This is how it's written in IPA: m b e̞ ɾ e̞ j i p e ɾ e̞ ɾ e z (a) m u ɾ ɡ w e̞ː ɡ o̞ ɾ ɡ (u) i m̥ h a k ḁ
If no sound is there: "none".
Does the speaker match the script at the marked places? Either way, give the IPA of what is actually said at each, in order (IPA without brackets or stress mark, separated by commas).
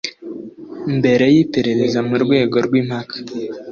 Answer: a, w